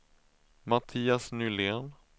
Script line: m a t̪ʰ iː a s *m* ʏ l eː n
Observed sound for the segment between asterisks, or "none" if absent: n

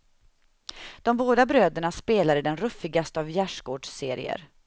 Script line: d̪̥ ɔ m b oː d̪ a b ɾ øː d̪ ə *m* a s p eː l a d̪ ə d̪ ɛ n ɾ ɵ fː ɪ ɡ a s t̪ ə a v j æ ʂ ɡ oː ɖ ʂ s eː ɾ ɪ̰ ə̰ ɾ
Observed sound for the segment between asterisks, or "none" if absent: ɳ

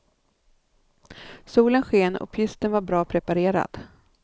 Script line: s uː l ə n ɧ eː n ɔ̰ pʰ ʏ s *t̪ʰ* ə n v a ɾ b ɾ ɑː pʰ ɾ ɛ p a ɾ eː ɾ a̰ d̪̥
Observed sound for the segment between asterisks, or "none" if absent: t̪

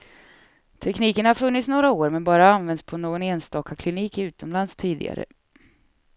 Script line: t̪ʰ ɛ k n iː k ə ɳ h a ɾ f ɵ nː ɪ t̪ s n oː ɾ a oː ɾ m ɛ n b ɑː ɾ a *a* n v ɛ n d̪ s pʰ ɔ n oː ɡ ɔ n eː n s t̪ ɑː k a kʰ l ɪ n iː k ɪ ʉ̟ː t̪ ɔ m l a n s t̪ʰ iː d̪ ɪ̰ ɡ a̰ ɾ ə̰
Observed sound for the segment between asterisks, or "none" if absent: a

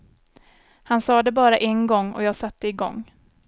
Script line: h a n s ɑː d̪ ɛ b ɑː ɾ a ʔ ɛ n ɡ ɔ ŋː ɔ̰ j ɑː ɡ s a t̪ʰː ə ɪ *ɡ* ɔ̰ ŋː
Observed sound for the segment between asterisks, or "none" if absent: ɡ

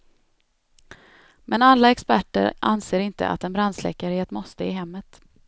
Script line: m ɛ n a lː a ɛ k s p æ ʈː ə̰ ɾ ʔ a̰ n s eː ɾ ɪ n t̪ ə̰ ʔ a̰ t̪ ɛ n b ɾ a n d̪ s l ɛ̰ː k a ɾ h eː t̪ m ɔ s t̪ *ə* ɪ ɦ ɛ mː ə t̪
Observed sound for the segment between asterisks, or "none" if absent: ə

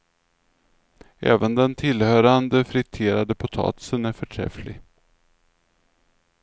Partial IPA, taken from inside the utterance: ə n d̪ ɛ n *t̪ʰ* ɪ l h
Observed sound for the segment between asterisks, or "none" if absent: t̪ʰ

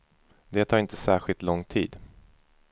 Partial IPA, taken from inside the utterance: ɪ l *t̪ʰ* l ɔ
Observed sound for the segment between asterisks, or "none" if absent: t̪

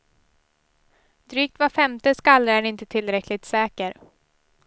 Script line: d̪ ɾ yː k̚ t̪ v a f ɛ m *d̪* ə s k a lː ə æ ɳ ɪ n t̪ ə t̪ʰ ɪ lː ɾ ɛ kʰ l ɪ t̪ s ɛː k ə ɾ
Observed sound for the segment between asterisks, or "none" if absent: t̪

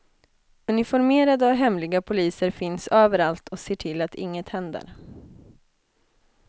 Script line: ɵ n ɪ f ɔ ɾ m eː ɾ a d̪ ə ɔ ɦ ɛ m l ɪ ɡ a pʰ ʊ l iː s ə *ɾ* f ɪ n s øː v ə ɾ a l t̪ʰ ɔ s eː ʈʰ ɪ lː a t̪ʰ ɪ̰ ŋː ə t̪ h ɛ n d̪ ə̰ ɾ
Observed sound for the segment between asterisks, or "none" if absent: ɾ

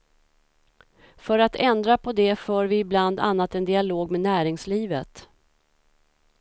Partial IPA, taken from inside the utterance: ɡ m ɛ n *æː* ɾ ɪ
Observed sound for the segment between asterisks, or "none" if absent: æː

